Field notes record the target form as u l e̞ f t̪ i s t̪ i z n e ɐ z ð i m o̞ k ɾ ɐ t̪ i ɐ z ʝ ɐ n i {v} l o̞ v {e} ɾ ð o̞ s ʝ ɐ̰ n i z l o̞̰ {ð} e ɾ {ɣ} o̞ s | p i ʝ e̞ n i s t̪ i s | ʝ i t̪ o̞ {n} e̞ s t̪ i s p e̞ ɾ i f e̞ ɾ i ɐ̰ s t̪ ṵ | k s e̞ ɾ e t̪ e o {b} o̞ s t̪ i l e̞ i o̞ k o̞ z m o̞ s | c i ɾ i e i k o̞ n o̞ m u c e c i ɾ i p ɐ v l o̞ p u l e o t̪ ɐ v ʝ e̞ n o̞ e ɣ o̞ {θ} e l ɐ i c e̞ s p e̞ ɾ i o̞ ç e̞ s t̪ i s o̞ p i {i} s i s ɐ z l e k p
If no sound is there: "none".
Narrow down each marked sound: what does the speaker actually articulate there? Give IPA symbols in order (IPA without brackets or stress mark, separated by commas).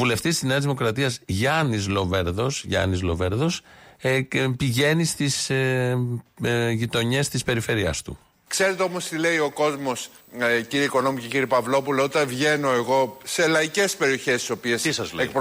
z, e, v, ð, ɲ, m, s, e